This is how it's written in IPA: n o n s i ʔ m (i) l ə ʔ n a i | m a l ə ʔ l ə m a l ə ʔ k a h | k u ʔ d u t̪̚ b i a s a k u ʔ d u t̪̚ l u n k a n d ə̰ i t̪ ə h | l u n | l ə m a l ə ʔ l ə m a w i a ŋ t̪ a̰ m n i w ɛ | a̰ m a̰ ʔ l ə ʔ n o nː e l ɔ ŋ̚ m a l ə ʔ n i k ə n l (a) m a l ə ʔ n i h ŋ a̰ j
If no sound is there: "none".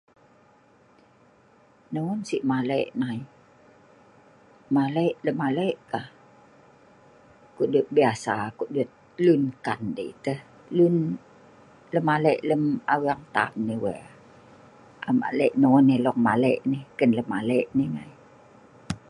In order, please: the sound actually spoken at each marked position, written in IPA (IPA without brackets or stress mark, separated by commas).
a, ə